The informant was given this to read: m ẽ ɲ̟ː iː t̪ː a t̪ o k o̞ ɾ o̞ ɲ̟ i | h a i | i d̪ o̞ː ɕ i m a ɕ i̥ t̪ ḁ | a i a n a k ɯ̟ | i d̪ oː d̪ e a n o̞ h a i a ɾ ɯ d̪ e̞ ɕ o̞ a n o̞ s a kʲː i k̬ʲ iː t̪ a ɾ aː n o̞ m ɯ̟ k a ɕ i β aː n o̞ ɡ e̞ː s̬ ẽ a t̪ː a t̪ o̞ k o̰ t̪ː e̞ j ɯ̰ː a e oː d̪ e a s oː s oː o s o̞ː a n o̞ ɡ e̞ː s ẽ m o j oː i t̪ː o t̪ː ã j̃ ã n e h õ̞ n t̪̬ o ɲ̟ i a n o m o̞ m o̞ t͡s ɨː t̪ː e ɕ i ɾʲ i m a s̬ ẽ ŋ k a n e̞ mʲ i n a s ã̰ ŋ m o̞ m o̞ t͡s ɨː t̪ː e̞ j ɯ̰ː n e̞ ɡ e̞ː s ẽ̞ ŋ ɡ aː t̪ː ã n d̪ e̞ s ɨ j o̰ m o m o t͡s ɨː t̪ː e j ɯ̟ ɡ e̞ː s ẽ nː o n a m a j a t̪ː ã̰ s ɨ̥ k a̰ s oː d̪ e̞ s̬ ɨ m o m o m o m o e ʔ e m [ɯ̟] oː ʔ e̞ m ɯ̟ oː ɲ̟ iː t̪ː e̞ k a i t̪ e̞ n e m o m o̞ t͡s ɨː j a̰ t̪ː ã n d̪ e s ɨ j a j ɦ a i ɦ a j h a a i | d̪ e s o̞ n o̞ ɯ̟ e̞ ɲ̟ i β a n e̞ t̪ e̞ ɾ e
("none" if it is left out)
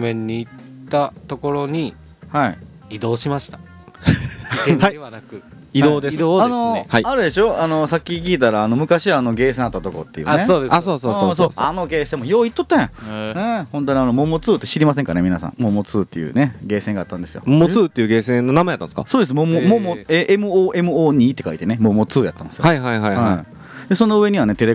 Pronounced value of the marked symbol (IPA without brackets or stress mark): ɯ̟